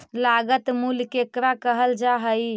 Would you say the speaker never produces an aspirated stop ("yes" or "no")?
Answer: yes